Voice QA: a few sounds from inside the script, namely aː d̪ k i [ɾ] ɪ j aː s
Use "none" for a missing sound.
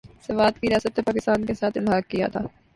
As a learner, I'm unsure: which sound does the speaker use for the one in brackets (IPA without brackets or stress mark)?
ɾ